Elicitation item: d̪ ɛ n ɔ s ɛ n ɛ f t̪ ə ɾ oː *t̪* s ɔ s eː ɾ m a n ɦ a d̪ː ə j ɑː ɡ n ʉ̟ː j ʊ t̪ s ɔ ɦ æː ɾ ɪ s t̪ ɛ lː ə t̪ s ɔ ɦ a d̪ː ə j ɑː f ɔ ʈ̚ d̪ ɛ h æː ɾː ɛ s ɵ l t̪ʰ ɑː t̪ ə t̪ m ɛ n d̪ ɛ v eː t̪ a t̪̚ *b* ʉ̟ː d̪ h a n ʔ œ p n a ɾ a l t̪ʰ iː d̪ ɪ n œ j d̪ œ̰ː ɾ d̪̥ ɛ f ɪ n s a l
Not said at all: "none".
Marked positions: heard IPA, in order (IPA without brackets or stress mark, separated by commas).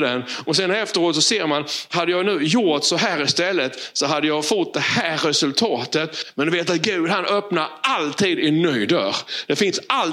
t̪, ɡ